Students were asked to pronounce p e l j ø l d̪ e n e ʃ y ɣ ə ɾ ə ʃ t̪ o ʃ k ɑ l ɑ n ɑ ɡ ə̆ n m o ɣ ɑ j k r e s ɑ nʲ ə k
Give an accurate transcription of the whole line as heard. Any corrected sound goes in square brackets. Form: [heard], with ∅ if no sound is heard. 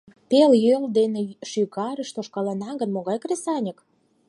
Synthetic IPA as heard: p e l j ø l d̪ e n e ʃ y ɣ [ɑ] ɾ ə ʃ t̪ o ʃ k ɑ l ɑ n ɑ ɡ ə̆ n m o ɣ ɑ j k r e s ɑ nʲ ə k